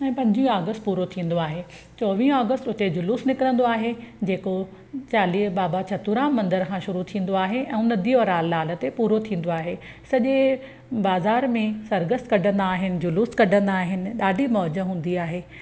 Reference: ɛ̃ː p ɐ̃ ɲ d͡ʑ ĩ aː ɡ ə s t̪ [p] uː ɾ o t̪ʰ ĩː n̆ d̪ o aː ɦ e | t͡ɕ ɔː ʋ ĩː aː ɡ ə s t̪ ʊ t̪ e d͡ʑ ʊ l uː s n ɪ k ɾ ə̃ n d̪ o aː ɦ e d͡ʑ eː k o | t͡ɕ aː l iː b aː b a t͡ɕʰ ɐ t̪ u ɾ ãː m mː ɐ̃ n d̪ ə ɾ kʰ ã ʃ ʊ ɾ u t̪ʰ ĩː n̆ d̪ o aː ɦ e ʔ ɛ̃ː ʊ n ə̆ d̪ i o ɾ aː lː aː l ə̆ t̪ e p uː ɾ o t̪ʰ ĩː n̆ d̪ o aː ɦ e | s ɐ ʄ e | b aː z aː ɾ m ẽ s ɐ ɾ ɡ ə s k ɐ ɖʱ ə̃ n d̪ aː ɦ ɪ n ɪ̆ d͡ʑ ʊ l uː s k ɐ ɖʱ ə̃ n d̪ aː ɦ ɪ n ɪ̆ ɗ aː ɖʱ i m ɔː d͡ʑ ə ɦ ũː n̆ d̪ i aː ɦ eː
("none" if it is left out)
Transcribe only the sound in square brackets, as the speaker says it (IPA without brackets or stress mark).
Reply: p